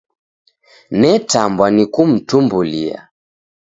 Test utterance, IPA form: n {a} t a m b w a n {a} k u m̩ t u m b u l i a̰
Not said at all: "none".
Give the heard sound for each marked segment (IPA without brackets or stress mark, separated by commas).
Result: ɛ, i